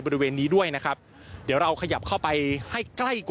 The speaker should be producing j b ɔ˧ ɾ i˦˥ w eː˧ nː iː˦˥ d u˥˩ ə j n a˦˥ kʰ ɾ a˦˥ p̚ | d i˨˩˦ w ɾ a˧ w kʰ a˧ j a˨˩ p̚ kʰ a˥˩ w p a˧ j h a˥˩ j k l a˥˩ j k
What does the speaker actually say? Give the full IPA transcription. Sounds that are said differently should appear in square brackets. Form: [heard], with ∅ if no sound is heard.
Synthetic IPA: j b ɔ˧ ɾ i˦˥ w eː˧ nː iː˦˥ d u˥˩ ə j n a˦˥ kʰ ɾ a˦˥ p̚ | d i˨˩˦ w ɾ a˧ w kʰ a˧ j a˨˩ p̚ kʰ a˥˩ w p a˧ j h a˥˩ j k l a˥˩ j k